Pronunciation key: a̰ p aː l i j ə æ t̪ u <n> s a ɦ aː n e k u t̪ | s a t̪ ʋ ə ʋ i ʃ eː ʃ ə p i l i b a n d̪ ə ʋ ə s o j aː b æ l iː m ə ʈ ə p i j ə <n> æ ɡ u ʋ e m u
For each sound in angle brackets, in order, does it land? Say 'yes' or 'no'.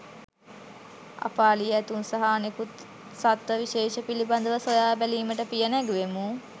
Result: yes, yes

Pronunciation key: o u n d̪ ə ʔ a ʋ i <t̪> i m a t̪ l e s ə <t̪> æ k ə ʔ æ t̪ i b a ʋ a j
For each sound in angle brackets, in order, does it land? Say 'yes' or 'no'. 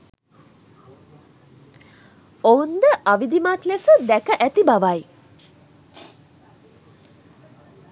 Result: no, no

